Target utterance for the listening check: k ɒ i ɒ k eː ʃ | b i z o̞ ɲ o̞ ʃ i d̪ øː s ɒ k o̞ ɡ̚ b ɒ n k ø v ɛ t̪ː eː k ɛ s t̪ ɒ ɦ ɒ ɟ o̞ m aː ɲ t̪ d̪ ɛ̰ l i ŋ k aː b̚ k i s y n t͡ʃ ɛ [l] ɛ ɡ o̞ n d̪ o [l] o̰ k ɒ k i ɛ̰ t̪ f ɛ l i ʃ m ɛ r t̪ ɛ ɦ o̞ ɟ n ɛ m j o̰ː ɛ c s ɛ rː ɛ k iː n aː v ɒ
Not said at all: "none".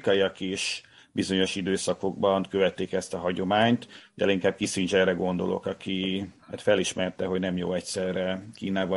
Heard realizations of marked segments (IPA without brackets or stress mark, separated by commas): r, l